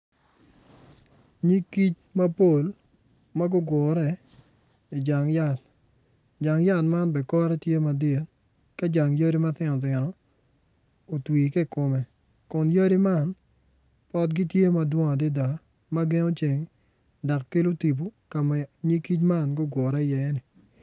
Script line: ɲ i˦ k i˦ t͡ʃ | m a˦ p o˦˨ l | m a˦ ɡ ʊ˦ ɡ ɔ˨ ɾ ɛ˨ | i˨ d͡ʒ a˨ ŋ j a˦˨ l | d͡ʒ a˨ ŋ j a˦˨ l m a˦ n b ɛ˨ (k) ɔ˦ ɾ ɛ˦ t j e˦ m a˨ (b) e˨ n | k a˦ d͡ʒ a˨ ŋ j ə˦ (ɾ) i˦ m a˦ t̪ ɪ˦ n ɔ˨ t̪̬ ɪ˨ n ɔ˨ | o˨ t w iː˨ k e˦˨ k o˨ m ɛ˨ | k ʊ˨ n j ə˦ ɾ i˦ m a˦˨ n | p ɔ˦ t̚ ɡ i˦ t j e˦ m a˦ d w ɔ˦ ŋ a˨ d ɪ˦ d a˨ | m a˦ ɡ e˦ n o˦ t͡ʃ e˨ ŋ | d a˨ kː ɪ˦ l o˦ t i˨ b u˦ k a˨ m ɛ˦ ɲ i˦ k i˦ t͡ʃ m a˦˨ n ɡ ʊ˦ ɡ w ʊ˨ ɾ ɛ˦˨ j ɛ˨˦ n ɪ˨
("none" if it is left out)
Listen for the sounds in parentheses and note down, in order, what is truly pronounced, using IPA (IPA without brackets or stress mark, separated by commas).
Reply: k, d, ɾ